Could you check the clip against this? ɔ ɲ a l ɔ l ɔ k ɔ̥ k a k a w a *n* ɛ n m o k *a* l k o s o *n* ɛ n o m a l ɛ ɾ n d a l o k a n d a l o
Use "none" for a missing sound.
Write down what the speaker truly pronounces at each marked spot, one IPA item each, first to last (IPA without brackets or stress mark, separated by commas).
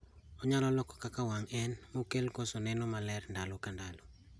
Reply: ŋ, e, n